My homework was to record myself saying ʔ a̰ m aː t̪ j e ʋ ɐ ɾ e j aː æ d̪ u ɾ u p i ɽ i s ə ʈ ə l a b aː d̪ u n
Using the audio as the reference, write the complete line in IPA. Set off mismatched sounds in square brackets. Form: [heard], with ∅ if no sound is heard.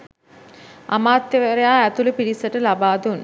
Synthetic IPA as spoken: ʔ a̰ m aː t̪ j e ʋ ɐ ɾ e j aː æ [t̪] u [l] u p i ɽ i s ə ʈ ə l a b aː d̪ u n